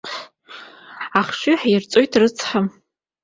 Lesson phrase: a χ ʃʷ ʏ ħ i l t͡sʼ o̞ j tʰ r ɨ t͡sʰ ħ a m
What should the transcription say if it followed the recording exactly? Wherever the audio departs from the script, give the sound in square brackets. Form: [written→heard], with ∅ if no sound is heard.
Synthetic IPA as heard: a χ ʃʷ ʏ ħ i [l→r] t͡sʼ o̞ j tʰ r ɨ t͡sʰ ħ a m